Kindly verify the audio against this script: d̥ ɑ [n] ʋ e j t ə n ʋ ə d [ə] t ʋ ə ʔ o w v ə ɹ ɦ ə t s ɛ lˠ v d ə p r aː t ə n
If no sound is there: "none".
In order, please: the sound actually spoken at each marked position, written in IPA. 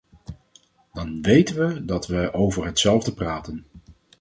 n, ɑ

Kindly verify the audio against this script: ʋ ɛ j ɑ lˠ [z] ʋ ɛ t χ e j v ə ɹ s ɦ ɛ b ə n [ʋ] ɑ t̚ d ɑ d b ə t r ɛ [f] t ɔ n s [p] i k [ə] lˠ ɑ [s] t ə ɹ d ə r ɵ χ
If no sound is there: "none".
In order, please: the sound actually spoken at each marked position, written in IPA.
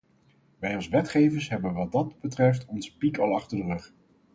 s, ʋ, f, p, ɑ, χ

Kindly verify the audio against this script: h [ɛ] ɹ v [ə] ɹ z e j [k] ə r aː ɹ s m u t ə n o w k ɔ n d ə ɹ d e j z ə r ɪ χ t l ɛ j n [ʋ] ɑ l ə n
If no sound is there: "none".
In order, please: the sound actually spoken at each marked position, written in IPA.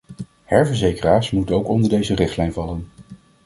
ɛ, ə, k, v

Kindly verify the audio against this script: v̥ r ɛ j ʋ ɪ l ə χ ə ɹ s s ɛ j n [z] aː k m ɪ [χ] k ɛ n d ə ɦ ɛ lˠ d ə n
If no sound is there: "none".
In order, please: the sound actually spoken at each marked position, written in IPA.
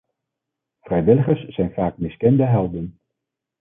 v, s

